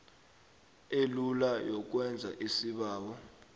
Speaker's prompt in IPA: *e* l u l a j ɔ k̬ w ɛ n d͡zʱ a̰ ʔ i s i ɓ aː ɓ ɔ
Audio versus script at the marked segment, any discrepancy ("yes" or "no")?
no